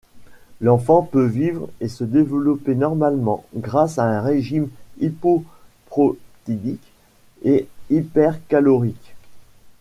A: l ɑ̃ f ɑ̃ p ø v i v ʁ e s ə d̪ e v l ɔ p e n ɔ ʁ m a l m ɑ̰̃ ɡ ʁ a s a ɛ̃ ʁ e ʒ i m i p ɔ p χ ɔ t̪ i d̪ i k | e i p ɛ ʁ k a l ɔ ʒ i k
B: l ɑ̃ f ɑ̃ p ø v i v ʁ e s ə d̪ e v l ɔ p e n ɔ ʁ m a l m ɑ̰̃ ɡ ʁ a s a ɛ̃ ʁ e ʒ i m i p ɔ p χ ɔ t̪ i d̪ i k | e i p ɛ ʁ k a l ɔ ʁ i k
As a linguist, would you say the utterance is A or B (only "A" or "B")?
B